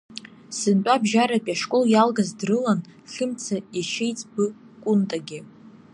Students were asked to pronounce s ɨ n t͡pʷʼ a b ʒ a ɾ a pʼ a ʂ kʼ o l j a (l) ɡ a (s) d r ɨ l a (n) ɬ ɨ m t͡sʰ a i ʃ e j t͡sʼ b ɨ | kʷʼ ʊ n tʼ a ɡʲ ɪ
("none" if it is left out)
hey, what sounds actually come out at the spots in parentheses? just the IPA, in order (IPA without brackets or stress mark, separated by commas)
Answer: l, z, n